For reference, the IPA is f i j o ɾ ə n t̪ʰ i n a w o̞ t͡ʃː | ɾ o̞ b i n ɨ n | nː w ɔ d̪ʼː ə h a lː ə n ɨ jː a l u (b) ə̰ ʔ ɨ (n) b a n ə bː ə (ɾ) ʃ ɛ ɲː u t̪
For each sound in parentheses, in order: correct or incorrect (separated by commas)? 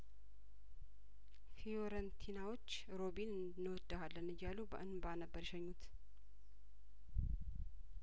correct, correct, correct